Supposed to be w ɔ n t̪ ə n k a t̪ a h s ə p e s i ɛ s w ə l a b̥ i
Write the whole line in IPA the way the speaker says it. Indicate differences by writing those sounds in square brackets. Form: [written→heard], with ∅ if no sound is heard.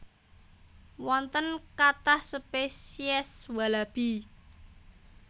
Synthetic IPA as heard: w ɔ n t̪ ə n k a t̪ a h s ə p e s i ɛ s w [ə→a] l a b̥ i